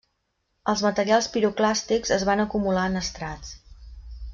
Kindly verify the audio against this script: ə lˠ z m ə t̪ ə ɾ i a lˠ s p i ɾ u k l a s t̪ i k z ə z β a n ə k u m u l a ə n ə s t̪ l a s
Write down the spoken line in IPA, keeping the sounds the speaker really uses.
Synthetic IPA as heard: ə lˠ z m ə t̪ ə ɾ i a lˠ s p i ɾ u k l a s t̪ i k z ə z β a n ə k u m u l a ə n ə s t̪ ɾ a t͡s